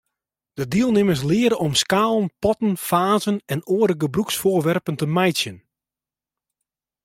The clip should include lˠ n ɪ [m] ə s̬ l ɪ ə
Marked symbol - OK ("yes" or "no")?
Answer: yes